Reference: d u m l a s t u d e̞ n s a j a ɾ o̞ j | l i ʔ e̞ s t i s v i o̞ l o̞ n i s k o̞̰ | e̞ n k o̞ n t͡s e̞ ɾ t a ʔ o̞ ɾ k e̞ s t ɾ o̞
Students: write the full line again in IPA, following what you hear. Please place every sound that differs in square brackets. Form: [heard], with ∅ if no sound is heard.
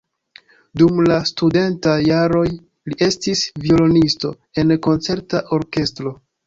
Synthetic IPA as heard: d u m l a s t u d e̞ n [t] a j a ɾ o̞ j | l i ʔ e̞ s t i s v i o̞ l o̞ n i s [t] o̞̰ | e̞ n k o̞ n t͡s e̞ ɾ t a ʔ o̞ ɾ k e̞ s t ɾ o̞